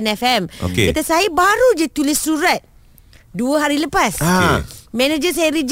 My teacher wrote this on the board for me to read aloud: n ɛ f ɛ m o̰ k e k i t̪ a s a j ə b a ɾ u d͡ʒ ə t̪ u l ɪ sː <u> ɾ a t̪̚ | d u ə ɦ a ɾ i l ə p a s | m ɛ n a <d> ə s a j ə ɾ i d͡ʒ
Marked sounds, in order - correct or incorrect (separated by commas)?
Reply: correct, incorrect